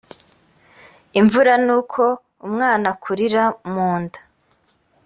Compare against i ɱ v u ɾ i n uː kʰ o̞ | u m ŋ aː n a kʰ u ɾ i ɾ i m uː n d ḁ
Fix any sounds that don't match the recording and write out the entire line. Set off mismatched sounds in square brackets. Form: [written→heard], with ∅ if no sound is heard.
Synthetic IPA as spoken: i ɱ v u ɾ [i→a] n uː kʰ o̞ | u m ŋ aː n a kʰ u ɾ i ɾ [i→a] m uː n d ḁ